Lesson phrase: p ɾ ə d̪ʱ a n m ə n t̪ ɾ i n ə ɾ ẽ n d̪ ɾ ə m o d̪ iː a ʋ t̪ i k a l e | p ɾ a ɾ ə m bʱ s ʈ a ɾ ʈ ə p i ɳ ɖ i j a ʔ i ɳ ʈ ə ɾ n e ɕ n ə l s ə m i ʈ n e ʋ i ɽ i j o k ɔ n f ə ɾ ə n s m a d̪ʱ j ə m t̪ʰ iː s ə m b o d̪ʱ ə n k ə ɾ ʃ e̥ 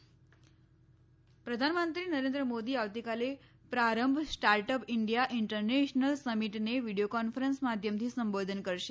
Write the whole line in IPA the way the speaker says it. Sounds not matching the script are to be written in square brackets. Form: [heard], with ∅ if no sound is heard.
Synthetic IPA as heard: p ɾ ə d̪ʱ a n m ə n t̪ ɾ i n ə ɾ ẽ n d̪ ɾ ə m o d̪ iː a ʋ t̪ i k a l e | p ɾ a ɾ ə m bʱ s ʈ a ɾ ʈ ə p i ɳ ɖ i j a ʔ i ɳ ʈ ə ɾ n e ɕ n ə l s ə m i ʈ n e ʋ i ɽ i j o k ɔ n f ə ɾ ə n s m a d̪ʱ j ə m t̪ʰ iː s ə m b o d̪ʱ ə n k ə ɾ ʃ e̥